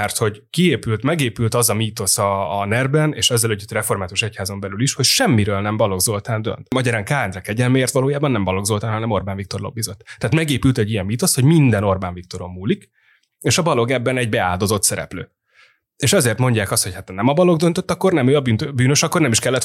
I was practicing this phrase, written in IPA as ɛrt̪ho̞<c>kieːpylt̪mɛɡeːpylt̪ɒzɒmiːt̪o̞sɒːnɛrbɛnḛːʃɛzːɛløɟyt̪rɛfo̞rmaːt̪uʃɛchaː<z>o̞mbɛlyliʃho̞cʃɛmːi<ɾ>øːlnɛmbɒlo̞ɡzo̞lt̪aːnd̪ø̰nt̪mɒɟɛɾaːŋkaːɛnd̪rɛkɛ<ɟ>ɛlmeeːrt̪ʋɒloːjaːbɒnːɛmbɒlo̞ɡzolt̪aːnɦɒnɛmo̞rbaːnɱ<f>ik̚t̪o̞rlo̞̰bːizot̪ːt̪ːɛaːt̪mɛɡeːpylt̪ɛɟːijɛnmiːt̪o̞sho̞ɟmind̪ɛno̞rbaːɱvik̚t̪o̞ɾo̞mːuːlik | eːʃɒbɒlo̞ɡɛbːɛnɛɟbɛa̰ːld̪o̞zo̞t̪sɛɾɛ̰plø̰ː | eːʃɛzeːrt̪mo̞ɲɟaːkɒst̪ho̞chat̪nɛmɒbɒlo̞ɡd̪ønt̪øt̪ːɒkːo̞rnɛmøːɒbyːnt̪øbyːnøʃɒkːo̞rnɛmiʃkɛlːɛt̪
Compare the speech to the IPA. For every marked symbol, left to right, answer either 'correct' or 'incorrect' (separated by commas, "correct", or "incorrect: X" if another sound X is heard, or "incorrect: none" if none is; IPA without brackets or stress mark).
incorrect: ɟ, correct, correct, correct, incorrect: v